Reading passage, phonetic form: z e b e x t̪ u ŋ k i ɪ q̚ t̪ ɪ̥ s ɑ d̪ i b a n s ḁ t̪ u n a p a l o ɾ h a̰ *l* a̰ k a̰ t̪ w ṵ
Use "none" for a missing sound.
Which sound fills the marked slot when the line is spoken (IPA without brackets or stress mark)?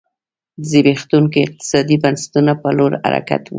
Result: ɾ